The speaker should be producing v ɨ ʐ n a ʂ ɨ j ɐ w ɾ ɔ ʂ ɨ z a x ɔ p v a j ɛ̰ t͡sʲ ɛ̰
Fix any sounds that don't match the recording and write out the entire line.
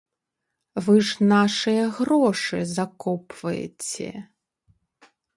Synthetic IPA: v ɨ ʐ n a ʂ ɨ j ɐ ɣ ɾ ɔ ʂ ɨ z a k ɔ p v ɐ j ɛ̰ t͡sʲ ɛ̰